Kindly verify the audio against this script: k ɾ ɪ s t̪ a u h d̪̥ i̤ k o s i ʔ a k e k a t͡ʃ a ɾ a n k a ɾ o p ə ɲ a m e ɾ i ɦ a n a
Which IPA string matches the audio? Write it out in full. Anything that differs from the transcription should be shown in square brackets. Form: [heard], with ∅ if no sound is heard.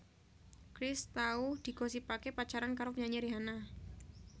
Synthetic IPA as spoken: k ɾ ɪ s t̪ a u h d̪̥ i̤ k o s i [p] a k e [p] a t͡ʃ a ɾ a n k a ɾ o p ə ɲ a [ɲ] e ɾ i ɦ a n a